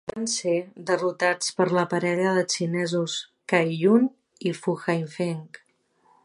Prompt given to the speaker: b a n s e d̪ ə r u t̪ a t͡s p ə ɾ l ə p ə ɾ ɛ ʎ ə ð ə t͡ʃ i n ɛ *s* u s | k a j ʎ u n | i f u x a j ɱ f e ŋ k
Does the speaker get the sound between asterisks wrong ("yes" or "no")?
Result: yes